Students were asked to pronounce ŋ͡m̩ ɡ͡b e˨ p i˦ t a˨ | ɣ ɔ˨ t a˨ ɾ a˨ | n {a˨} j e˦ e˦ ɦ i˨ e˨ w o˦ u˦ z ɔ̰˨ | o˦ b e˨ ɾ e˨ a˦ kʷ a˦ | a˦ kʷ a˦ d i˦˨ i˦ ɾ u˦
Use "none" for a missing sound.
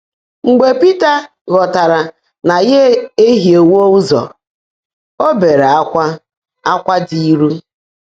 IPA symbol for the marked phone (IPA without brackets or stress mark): a˨